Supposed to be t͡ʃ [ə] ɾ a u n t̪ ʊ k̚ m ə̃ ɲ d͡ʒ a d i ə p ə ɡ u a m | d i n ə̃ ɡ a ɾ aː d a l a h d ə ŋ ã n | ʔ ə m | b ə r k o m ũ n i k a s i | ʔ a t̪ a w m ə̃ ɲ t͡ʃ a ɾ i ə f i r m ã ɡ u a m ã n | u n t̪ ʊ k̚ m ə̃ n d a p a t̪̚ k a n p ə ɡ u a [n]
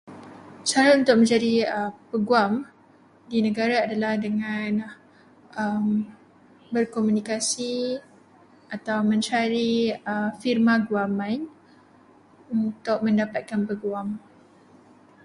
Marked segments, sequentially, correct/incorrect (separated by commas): incorrect, incorrect